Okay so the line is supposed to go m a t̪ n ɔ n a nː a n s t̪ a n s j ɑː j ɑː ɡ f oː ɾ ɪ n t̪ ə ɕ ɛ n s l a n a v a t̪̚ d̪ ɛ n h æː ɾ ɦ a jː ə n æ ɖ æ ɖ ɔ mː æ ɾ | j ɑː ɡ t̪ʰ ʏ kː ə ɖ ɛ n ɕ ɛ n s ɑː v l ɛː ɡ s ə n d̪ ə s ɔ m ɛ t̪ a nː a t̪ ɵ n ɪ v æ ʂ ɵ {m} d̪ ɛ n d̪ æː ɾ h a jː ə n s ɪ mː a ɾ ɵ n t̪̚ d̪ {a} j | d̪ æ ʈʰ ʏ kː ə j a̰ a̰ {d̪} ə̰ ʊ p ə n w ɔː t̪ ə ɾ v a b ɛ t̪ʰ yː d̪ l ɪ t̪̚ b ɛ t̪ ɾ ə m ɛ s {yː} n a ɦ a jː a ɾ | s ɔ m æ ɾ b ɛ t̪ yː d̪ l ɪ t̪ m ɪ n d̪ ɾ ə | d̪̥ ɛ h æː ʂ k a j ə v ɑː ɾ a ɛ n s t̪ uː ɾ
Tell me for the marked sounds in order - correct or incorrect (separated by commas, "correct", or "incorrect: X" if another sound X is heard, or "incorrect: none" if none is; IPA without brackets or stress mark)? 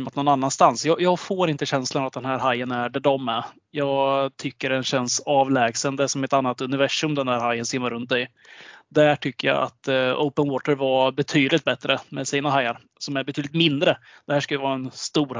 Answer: correct, incorrect: ɛ, incorrect: t̪, incorrect: iː